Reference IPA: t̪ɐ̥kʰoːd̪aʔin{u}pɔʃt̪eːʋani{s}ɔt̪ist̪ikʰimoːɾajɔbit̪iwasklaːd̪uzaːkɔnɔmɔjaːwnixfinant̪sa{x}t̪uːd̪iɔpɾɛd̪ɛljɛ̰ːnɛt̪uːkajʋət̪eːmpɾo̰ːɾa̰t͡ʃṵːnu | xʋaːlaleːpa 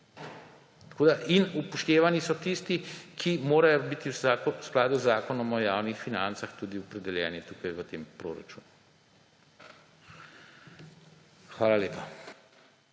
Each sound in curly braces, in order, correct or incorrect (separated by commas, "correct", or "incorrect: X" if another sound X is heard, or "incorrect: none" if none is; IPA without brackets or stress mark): correct, correct, correct